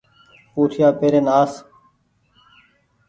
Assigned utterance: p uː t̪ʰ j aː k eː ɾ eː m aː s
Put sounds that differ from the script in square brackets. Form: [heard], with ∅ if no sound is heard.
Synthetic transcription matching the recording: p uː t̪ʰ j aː [p] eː ɾ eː [n] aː s